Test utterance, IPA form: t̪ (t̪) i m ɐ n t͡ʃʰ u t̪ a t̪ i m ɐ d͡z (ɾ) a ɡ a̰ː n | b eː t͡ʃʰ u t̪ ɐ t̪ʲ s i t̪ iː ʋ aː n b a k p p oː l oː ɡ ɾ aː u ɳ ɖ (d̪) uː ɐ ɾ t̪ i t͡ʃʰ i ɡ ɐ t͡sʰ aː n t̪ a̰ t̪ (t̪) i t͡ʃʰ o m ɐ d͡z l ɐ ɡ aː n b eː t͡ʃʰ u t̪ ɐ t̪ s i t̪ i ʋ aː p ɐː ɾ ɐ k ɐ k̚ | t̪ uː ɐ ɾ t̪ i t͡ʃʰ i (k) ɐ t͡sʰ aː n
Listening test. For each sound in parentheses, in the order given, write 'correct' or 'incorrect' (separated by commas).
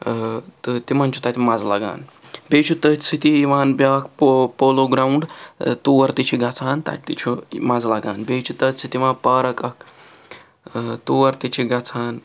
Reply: correct, incorrect, incorrect, correct, incorrect